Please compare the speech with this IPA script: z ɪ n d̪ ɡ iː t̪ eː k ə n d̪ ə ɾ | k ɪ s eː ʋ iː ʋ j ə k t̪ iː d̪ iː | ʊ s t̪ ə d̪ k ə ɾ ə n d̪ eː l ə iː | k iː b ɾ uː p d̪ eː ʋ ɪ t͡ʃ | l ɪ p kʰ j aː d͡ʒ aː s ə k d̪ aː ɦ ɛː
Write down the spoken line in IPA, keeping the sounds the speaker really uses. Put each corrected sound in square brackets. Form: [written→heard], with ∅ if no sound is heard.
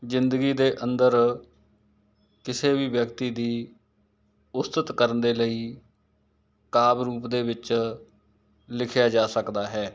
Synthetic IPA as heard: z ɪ n d̪ ɡ iː [t̪→d̪] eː [k→ʔ] ə n d̪ ə ɾ | k ɪ s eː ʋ iː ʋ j ə k t̪ iː d̪ iː | ʊ s t̪ ə [d̪→t̪] k ə ɾ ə n d̪ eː l ə iː | k [iː→aː] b ɾ uː p d̪ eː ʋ ɪ t͡ʃ | l ɪ [p→∅] kʰ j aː d͡ʒ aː s ə k d̪ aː ɦ ɛː